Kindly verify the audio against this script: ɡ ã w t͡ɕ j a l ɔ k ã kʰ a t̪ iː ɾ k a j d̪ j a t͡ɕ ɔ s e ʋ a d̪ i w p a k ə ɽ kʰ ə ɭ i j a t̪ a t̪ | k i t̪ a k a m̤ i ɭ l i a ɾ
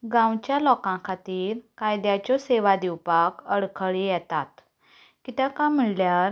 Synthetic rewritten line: ɡ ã w t͡ɕ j a l ɔ k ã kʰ a t̪ iː ɾ k a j d̪ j a t͡ɕ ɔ s e ʋ a d̪ i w p a k ə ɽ kʰ ə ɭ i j ɛ t̪ a t̪ | k i t̪ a k a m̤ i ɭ l j a ɾ